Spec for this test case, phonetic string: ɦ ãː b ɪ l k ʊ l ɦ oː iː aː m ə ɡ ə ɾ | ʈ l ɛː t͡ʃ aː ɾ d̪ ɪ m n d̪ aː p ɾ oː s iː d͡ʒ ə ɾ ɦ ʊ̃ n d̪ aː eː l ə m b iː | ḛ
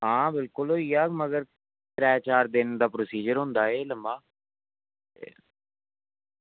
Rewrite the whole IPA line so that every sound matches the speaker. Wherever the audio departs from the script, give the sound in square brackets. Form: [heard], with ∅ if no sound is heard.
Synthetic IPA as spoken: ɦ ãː b ɪ l k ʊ l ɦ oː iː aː m ə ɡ ə ɾ | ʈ [ɾ] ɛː t͡ʃ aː ɾ d̪ ɪ [∅] n d̪ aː p ɾ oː s iː d͡ʒ ə ɾ ɦ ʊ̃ n d̪ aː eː l ə m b [aː] | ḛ